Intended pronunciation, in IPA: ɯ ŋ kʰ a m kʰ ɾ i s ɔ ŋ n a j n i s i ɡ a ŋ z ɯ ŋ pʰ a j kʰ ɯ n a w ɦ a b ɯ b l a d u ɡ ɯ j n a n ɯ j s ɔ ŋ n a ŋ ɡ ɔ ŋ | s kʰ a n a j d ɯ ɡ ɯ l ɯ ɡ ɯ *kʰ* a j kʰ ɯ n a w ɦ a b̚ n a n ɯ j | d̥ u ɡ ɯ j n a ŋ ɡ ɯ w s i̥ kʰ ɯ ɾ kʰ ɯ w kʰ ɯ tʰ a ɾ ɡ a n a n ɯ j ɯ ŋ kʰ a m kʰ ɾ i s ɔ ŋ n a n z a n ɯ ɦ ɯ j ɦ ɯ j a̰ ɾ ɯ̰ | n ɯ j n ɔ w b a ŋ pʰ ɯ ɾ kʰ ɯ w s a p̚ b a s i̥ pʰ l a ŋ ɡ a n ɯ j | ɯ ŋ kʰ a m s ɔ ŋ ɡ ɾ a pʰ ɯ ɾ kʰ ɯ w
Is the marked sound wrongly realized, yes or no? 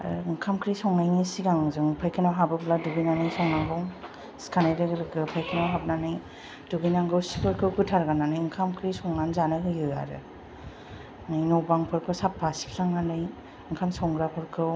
yes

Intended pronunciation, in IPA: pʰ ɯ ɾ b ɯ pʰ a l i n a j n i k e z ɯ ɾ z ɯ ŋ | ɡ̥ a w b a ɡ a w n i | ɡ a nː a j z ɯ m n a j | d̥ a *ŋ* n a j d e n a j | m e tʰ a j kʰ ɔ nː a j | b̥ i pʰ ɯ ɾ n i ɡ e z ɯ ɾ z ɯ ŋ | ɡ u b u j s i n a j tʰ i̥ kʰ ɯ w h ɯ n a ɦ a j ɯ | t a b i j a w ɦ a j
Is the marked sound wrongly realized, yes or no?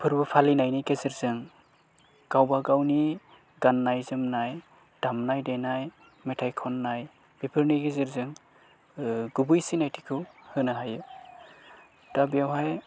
yes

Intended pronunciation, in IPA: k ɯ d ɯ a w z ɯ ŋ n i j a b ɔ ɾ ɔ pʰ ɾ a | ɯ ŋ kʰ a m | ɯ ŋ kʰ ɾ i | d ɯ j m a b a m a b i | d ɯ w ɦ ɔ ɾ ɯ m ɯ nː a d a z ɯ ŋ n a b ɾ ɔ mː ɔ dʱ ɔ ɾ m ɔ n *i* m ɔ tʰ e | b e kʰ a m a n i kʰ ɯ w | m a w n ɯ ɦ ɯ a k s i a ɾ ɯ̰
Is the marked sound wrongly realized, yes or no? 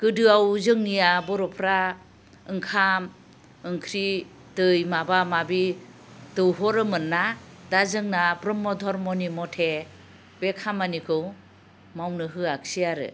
no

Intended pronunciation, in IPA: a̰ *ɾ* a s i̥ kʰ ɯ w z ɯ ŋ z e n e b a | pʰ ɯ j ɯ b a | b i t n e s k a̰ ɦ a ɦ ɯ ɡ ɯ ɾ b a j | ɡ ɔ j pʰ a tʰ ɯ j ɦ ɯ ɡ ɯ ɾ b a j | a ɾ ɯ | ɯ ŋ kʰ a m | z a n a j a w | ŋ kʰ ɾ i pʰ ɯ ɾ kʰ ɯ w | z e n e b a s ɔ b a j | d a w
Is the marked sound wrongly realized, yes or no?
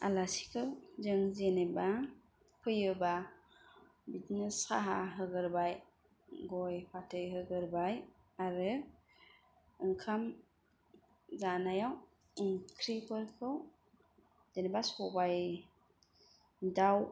yes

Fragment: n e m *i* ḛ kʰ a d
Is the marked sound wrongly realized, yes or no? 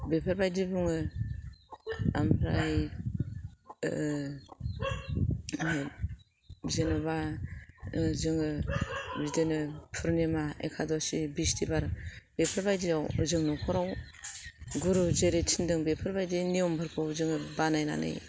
yes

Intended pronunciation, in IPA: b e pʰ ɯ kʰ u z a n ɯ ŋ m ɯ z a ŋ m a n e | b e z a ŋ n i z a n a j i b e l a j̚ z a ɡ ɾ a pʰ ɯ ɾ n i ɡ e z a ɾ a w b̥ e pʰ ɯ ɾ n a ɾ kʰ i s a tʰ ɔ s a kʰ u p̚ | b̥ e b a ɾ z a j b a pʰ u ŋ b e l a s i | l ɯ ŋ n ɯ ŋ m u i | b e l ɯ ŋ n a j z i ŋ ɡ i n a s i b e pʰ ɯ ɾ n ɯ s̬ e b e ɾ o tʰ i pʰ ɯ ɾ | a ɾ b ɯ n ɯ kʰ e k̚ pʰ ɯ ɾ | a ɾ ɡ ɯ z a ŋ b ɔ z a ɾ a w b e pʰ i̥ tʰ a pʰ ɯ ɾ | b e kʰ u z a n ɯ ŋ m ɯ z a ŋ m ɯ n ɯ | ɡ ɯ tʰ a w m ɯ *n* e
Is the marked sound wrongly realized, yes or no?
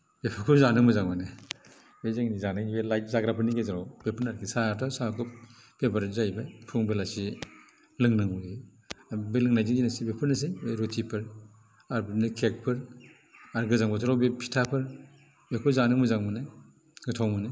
no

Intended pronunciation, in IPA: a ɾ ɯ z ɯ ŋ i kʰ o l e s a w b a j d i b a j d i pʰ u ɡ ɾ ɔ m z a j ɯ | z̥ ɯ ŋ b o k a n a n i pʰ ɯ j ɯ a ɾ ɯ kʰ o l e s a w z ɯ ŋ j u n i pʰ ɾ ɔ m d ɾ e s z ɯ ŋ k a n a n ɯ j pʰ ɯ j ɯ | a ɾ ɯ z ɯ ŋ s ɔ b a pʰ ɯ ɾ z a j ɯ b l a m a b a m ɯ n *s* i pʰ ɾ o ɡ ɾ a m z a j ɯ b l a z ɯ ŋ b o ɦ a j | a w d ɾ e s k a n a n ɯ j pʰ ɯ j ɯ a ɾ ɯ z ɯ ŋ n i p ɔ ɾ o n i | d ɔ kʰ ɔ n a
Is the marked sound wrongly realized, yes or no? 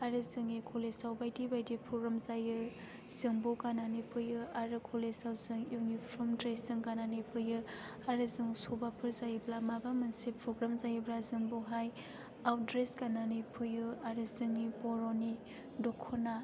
no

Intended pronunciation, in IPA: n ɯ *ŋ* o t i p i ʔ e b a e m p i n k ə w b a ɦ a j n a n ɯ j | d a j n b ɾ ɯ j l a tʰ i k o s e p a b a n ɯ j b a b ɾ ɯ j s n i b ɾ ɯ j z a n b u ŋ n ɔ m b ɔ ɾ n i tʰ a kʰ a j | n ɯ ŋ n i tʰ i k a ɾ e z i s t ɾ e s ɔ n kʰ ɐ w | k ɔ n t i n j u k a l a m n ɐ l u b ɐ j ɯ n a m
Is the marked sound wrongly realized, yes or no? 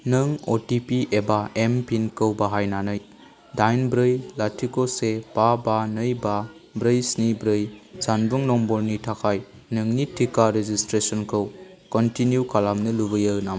no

